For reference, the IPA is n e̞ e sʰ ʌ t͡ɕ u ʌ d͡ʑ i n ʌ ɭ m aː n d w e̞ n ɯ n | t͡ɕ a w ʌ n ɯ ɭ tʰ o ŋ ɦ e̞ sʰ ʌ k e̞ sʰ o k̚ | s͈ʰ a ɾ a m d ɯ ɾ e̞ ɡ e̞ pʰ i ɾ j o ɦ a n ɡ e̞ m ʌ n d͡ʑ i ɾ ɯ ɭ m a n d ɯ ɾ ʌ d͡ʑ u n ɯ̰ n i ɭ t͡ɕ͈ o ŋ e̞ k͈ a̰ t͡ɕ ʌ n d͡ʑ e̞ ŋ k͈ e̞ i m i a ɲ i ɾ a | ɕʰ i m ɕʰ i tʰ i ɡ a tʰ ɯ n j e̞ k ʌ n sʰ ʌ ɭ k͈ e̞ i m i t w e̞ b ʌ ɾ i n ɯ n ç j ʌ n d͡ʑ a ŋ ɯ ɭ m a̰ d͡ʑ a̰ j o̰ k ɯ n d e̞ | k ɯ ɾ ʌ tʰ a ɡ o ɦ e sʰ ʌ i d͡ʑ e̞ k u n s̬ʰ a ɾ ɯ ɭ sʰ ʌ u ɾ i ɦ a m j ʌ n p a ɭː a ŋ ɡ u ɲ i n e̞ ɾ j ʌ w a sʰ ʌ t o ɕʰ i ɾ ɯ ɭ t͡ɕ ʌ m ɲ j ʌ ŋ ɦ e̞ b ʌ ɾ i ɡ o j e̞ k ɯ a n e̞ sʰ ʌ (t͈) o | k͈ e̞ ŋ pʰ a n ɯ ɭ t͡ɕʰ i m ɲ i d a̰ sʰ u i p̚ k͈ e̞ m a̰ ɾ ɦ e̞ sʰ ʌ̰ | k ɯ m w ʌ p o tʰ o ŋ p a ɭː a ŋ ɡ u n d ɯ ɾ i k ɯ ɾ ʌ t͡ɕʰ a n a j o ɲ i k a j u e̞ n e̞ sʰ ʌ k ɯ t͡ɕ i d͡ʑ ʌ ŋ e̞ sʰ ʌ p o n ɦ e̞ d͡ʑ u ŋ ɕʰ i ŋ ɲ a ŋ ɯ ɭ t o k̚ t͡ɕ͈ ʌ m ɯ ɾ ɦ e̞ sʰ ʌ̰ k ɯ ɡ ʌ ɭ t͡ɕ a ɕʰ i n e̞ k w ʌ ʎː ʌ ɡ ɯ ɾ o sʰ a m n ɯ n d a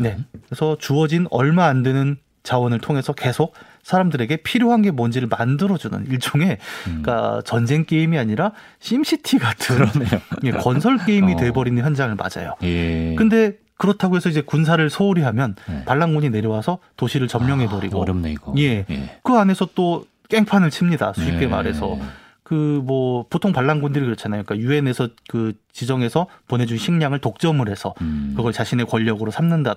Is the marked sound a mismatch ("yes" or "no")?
no